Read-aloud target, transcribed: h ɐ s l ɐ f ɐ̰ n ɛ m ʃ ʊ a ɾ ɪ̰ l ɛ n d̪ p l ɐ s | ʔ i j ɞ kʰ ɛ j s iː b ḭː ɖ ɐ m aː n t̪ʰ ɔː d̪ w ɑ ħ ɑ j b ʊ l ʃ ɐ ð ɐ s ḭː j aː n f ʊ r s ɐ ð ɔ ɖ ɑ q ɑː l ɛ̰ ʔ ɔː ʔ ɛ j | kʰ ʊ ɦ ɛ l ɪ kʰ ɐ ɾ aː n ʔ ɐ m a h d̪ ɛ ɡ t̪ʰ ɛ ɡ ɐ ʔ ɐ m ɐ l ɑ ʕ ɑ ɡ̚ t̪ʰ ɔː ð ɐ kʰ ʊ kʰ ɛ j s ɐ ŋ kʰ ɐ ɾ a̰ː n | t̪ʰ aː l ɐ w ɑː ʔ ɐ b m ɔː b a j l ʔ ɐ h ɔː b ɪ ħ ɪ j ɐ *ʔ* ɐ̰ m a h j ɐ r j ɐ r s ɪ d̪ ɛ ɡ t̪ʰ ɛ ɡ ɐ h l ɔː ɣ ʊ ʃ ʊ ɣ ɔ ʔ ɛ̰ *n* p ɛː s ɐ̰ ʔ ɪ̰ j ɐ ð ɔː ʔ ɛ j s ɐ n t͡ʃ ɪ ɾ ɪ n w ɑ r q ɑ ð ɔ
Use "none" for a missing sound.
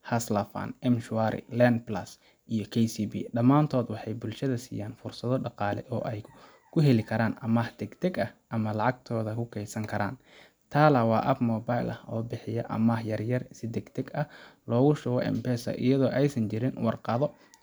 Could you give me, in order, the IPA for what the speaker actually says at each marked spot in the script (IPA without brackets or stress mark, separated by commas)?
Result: ʔ, m